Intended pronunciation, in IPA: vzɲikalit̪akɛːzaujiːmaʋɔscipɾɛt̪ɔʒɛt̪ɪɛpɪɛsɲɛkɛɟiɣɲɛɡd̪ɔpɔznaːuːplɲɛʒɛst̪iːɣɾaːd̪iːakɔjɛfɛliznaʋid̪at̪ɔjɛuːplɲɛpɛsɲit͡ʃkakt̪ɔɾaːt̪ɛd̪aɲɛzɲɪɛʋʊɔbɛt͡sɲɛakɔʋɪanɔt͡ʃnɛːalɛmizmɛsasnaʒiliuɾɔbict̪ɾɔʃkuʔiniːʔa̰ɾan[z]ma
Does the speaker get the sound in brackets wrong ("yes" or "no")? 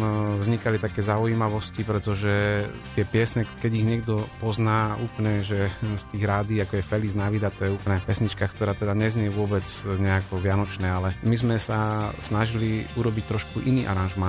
yes